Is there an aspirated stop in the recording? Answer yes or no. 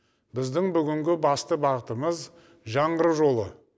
no